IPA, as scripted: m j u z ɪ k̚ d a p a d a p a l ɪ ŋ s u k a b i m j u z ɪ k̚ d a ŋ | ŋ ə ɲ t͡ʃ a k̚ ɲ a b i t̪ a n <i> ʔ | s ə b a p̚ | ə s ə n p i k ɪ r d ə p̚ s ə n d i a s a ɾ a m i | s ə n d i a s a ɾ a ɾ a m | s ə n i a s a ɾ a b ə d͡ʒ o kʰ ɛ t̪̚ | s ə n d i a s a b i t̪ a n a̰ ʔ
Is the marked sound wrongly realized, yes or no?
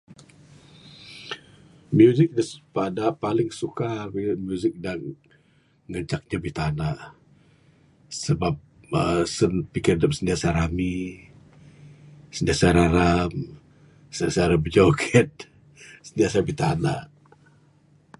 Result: yes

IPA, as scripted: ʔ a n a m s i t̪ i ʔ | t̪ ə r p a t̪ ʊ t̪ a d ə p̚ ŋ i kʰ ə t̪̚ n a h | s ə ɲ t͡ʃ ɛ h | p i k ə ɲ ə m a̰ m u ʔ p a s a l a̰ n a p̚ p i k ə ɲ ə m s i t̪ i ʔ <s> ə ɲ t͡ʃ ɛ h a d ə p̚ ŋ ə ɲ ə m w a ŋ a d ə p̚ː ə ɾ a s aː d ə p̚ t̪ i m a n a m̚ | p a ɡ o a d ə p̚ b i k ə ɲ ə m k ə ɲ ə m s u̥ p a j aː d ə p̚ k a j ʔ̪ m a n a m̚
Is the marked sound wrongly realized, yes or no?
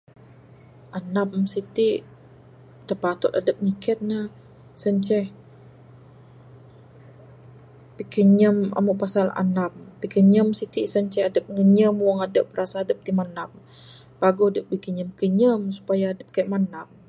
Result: no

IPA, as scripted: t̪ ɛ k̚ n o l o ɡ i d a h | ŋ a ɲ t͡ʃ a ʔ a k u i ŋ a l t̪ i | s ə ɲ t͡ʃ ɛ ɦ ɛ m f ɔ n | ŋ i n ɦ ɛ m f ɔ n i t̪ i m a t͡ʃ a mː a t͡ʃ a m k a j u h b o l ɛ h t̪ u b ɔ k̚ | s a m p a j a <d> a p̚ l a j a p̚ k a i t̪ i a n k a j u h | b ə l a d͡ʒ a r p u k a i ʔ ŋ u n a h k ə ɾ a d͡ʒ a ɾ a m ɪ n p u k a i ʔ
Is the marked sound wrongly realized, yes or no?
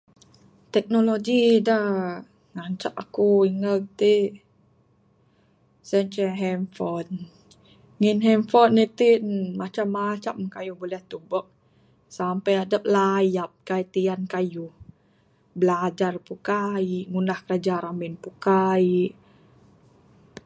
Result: no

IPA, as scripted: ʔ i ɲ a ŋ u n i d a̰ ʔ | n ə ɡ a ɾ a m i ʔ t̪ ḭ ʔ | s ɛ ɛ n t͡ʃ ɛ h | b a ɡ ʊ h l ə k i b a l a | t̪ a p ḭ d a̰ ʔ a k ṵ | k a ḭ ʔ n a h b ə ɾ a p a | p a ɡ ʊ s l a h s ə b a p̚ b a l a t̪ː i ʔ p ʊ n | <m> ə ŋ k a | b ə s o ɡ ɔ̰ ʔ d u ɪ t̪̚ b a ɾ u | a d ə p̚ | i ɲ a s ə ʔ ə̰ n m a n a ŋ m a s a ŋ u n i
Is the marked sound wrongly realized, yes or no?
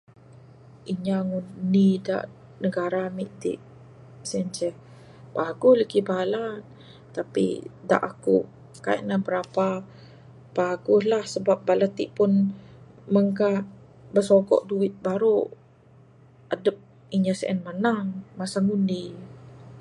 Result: no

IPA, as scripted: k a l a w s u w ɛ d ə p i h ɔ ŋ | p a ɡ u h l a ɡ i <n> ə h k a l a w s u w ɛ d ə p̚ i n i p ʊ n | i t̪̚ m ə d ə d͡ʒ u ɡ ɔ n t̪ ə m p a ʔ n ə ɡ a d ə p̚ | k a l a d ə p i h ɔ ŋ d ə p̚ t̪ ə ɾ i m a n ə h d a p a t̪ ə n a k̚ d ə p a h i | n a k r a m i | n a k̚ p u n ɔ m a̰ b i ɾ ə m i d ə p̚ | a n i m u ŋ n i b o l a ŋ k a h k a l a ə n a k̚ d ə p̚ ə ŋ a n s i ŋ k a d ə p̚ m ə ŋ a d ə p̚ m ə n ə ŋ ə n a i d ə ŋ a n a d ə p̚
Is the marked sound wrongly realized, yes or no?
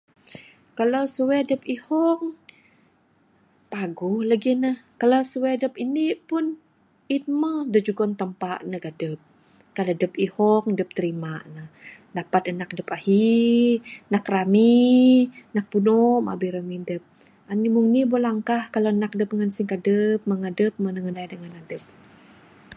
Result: no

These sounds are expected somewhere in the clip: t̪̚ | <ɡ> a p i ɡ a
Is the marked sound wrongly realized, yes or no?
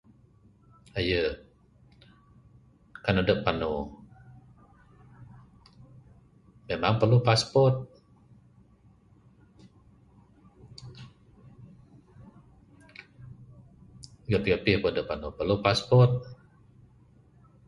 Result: no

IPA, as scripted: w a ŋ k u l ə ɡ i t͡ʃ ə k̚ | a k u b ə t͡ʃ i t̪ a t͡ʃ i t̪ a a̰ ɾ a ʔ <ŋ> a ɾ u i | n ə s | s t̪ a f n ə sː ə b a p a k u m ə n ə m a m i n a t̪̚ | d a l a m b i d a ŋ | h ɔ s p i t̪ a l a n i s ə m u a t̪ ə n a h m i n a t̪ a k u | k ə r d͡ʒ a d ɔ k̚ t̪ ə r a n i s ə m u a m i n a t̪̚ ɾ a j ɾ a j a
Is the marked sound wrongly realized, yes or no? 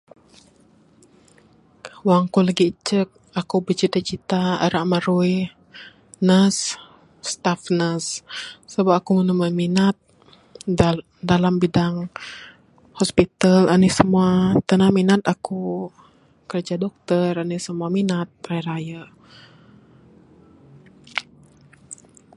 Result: yes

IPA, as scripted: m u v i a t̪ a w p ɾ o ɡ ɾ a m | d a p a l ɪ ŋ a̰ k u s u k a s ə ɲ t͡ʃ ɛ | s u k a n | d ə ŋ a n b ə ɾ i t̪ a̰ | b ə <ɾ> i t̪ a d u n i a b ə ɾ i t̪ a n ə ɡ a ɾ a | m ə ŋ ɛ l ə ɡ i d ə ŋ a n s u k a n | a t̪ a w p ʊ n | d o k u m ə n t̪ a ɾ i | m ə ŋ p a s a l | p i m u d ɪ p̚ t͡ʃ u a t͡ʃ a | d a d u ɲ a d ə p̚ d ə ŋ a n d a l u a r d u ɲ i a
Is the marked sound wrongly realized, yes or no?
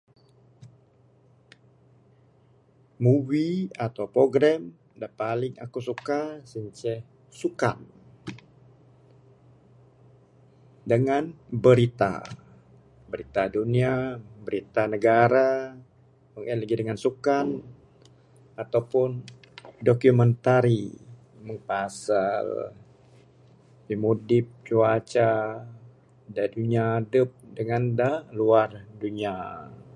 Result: no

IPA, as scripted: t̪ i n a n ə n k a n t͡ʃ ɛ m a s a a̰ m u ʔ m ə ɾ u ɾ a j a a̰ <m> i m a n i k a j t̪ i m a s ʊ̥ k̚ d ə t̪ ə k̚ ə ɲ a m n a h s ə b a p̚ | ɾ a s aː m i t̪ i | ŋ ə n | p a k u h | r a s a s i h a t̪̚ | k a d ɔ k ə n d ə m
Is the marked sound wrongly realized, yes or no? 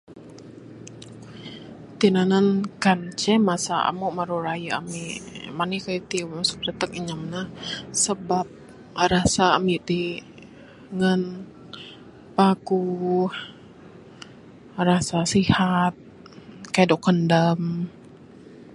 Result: no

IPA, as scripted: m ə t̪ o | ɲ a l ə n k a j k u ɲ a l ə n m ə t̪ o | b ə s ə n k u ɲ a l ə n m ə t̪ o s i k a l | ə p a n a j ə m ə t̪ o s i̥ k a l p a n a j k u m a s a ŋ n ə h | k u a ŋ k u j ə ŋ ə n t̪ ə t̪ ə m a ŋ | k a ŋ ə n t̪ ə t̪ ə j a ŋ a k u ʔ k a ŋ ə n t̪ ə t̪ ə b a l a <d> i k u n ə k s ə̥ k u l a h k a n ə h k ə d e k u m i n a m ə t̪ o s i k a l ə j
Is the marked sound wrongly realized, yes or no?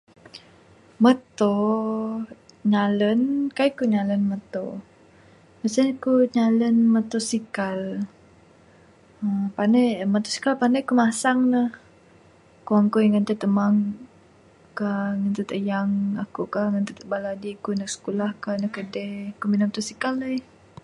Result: no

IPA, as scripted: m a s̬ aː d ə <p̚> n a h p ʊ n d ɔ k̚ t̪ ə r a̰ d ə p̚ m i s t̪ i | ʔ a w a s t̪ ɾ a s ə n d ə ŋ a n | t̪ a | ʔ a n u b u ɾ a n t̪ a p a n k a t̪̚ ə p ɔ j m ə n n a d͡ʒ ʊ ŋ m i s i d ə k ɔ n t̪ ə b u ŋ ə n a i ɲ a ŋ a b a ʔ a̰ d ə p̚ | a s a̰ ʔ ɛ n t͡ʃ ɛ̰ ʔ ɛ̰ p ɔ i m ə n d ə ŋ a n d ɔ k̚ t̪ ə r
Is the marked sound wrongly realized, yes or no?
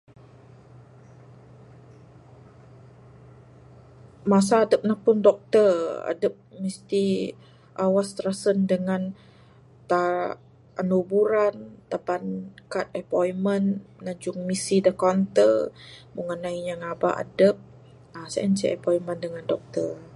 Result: no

